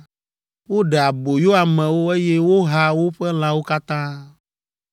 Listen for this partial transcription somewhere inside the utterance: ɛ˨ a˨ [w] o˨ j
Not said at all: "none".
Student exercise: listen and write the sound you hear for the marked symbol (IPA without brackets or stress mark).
b